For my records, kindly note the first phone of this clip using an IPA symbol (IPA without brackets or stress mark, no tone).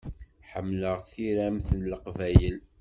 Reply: ħ